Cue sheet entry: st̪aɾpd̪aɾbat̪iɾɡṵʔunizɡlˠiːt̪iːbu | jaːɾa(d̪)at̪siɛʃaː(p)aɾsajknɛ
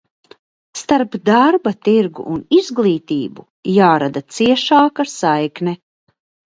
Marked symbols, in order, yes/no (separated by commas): yes, no